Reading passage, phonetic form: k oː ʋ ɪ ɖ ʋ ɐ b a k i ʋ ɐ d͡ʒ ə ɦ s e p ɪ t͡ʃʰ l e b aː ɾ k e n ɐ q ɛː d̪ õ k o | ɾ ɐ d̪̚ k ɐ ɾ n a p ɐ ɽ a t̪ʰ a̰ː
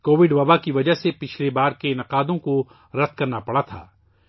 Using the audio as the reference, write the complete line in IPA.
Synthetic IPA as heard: k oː ʋ ɪ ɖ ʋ ɐ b a k i ʋ ɐ d͡ʒ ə ɦ s e p ɪ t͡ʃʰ l e b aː ɾ k e n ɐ q aː d̪ õ k o | ɾ ɐ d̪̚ k ɐ ɾ n a p ɐ ɽ a t̪ʰ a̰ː